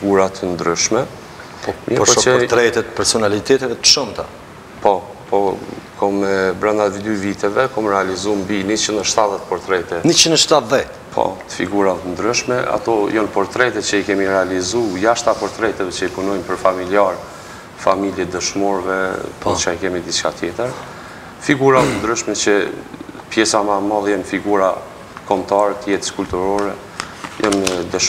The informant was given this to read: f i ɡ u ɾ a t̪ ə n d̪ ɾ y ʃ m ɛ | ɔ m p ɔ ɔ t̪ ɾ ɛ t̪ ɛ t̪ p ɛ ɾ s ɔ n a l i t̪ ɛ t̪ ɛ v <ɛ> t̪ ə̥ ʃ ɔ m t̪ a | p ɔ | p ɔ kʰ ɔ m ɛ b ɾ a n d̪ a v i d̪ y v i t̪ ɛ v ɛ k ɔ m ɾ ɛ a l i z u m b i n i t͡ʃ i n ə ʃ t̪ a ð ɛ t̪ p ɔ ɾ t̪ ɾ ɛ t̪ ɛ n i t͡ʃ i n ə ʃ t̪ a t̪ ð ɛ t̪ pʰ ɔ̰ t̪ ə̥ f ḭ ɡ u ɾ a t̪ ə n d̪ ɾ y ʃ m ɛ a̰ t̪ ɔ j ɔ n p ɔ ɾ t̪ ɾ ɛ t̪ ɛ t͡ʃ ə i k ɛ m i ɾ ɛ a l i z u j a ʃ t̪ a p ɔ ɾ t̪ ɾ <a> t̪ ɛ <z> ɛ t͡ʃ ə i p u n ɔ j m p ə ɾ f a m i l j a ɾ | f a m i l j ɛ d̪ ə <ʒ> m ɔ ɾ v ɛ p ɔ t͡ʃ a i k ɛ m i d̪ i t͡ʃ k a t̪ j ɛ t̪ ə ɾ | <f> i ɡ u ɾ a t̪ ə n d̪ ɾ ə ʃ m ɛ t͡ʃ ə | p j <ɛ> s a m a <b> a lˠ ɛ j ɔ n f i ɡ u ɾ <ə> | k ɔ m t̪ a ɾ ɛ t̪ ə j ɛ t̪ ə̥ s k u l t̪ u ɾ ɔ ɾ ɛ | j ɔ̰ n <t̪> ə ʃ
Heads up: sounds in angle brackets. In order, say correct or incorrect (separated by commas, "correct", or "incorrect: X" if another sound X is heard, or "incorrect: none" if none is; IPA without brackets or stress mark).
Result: correct, incorrect: ɛ, incorrect: v, incorrect: ʃ, correct, correct, incorrect: m, incorrect: a, incorrect: d̪